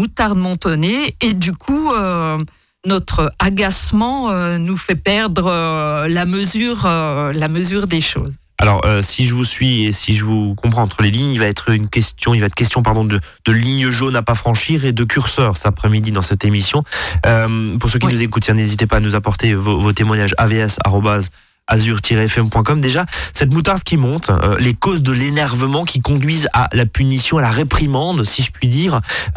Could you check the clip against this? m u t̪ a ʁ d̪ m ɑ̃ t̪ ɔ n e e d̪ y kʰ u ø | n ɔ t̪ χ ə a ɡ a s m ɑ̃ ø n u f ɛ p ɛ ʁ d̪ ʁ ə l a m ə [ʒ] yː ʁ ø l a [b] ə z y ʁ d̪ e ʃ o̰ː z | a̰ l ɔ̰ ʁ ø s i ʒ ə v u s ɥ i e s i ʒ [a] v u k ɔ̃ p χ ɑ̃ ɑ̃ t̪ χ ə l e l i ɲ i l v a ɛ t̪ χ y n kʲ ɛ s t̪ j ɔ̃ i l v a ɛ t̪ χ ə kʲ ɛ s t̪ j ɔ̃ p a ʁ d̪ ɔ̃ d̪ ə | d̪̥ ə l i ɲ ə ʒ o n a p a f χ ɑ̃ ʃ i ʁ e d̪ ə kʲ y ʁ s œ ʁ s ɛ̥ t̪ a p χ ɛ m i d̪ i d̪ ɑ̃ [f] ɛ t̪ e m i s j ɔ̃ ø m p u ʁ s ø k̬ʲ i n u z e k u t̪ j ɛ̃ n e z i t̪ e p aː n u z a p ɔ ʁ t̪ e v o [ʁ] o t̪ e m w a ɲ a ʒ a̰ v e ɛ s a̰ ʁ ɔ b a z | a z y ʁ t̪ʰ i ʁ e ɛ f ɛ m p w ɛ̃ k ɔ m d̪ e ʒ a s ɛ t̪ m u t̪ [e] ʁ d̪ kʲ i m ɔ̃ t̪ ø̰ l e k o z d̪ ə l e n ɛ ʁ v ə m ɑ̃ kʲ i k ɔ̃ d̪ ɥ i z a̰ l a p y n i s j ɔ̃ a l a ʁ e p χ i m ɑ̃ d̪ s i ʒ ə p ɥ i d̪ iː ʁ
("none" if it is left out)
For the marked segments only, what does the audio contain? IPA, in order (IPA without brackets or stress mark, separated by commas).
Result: z, m, ə, s, v, a